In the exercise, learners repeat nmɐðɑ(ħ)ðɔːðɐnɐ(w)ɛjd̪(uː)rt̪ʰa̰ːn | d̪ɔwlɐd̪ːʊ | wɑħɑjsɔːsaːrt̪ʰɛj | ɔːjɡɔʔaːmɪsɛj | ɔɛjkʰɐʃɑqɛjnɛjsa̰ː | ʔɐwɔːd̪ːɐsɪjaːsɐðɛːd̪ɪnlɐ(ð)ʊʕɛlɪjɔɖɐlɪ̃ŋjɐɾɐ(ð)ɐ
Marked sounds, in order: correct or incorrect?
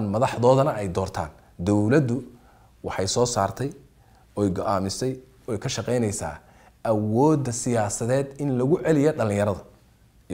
correct, incorrect: none, incorrect: ɔː, incorrect: ɣ, correct

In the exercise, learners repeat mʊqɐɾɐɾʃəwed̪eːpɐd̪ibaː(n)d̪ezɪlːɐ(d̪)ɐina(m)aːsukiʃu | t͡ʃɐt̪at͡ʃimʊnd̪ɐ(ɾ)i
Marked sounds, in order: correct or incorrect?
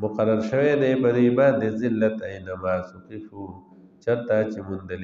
correct, incorrect: t̪, correct, incorrect: l

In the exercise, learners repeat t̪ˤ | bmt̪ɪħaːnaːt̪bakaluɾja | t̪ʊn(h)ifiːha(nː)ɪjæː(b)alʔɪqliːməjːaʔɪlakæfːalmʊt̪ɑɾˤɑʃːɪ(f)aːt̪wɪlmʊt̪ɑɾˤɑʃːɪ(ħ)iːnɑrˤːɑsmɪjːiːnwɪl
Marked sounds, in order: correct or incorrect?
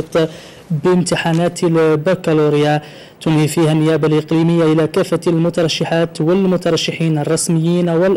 correct, correct, correct, incorrect: ħ, correct

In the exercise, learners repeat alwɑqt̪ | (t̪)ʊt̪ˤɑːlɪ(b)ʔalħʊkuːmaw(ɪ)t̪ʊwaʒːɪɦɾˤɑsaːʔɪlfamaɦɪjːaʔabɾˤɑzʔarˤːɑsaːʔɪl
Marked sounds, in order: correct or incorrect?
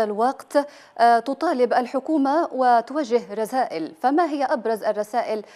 correct, correct, correct

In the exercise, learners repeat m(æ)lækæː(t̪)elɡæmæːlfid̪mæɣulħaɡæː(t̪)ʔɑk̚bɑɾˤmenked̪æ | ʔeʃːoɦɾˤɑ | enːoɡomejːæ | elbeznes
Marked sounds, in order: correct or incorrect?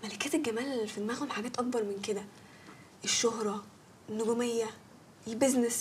correct, correct, correct

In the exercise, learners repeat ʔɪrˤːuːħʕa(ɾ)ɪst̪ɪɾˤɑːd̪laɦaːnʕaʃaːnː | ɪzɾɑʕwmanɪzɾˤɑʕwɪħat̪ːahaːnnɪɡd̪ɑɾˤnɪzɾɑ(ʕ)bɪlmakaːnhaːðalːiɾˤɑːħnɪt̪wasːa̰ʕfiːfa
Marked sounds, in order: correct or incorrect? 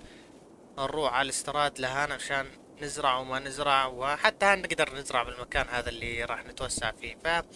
incorrect: l, correct

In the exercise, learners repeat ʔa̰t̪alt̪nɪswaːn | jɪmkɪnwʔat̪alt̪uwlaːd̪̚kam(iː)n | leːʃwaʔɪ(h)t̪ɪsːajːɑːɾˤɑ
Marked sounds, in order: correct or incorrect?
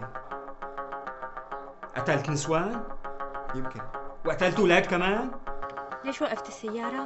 incorrect: aː, incorrect: f

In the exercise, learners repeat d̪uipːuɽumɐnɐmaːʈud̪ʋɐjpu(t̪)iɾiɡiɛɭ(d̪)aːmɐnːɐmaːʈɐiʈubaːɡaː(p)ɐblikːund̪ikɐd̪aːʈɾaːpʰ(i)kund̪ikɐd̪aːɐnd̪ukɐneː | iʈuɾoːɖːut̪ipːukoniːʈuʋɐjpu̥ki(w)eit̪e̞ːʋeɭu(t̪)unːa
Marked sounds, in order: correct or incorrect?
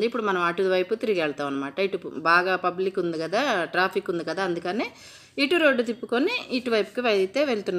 correct, incorrect: t̪, correct, correct, incorrect: ʋ, correct

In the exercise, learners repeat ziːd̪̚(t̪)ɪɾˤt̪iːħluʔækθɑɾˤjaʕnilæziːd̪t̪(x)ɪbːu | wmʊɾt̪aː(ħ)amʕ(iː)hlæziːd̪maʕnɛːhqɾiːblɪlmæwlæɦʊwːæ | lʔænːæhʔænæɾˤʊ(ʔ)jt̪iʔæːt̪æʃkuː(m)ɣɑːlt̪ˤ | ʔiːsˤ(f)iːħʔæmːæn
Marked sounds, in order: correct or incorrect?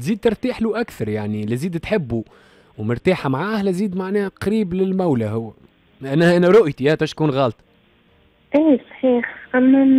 correct, incorrect: ħ, correct, incorrect: aː, correct, incorrect: n, incorrect: ħ

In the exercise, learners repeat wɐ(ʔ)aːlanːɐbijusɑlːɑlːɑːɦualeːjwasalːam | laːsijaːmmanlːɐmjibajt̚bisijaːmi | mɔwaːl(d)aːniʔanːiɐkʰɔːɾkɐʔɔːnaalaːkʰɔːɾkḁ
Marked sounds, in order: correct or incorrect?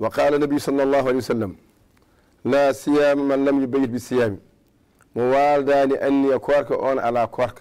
incorrect: q, correct

